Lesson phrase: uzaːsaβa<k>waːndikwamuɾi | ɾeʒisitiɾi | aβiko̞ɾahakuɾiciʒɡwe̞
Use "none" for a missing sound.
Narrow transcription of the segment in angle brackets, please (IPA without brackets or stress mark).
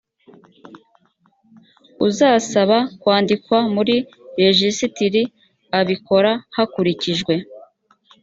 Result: k